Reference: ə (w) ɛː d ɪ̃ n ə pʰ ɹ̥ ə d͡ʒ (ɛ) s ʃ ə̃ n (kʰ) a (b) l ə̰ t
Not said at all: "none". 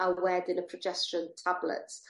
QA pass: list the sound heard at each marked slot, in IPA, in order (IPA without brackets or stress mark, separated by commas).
w, ɛ, tʰ, b